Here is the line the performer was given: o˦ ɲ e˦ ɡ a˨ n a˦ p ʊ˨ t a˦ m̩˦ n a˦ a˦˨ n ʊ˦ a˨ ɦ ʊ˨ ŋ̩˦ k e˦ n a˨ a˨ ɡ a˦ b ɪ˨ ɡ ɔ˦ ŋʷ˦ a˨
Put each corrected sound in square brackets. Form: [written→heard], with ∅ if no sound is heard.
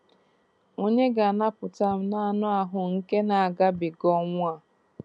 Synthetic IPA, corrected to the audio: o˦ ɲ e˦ ɡ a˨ n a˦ p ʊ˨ t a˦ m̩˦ n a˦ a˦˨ n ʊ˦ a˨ ɦ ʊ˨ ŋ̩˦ k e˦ n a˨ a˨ ɡ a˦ b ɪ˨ ɡ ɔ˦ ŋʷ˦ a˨